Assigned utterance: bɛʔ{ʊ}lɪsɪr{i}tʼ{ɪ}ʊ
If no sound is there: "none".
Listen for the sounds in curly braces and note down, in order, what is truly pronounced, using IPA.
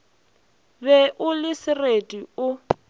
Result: ʊ, e, i

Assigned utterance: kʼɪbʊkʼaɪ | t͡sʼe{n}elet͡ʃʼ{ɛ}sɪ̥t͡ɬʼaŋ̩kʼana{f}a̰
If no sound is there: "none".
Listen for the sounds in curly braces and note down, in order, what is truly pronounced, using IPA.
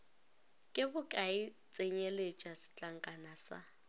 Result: ɲ, a, s

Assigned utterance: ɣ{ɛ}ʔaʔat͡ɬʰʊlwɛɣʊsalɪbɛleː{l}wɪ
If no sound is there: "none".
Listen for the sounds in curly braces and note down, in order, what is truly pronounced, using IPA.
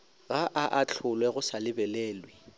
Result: a, l

